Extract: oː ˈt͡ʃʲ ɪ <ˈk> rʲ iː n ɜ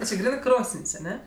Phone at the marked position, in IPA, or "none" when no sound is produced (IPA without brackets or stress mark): ɡ